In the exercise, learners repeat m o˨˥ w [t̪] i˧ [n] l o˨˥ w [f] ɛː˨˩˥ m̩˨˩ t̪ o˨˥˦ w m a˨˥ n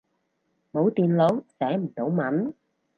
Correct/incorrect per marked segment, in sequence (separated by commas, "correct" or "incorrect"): correct, correct, incorrect